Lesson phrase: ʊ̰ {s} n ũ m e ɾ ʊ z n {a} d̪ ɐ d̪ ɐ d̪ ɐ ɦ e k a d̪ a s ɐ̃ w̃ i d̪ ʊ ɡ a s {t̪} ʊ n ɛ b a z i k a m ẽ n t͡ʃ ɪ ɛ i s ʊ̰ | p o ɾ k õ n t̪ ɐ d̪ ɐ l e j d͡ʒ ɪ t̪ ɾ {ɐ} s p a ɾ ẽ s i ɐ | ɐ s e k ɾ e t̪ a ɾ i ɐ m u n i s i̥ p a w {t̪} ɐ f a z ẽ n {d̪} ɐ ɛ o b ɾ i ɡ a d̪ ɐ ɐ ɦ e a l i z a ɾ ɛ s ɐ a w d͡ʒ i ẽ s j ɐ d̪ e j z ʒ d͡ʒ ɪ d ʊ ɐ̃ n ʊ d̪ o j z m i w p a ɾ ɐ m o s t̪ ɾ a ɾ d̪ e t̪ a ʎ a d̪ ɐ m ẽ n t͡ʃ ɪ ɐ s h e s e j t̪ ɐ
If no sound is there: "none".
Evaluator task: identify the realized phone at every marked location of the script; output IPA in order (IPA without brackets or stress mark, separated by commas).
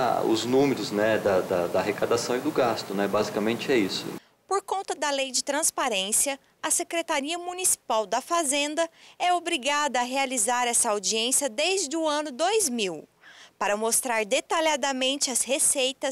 z, ɛ, t̪, ɐ̃, d̪, d̪